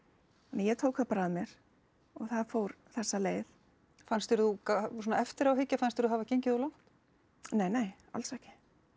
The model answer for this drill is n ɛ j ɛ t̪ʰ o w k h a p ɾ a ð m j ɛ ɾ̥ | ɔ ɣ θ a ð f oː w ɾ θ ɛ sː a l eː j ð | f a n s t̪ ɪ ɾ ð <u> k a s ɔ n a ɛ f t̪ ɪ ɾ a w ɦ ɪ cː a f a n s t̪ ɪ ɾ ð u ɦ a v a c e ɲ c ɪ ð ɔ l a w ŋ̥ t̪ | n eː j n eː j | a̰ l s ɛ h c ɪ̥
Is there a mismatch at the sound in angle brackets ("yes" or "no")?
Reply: no